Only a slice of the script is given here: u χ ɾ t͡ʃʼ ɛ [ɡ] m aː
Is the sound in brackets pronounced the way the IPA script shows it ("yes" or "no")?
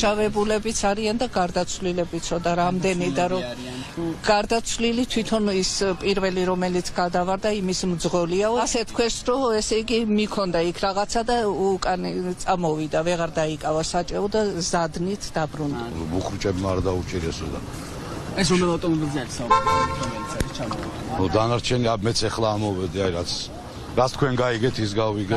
no